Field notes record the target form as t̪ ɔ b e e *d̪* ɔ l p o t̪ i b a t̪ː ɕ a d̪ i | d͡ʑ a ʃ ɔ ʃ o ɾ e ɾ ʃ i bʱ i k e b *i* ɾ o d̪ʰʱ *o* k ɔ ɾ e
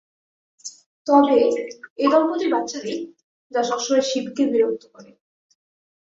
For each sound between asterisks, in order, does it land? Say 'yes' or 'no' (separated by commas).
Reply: yes, yes, yes